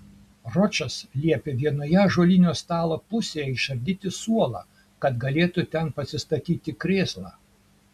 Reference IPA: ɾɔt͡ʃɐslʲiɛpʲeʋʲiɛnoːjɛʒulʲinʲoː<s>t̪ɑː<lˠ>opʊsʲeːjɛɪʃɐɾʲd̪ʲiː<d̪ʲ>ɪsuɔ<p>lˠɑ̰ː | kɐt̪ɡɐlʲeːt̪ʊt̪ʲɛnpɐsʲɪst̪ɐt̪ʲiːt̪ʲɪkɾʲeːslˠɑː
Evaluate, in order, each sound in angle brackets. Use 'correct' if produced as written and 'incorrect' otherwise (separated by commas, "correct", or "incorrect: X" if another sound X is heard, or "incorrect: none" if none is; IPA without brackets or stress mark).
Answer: correct, correct, incorrect: t̪ʲ, incorrect: none